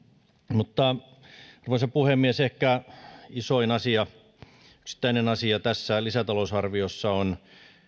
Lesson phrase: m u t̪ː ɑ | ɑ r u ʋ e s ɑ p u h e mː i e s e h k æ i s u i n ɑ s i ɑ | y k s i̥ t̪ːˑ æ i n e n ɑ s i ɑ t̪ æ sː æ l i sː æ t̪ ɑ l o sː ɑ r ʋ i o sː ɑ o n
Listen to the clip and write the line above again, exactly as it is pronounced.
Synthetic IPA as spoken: m u t̪ː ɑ | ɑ r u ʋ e s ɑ p u h e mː i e s e h k æ i s o i n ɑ s i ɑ | y k s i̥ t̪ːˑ æ i n e n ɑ s i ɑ t̪ æ sː æ l i s æ t̪ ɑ l o s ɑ r ʋ i o sː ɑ o n